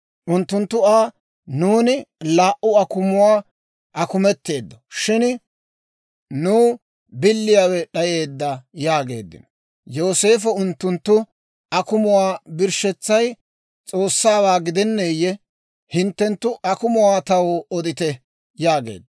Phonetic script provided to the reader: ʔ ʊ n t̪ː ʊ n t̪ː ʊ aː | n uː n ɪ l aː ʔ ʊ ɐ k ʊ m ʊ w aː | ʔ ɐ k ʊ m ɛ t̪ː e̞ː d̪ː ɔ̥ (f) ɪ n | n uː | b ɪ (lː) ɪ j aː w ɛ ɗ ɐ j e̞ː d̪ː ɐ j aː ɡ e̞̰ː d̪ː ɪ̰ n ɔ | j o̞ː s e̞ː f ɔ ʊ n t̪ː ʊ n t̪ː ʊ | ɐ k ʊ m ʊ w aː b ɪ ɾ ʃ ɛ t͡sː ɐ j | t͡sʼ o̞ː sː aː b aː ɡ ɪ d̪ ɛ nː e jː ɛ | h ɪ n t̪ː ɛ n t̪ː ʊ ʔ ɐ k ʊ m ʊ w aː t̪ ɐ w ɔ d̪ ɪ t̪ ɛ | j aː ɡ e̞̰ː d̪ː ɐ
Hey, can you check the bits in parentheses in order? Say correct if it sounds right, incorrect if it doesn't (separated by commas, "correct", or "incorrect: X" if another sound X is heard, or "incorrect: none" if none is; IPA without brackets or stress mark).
incorrect: ʃ, correct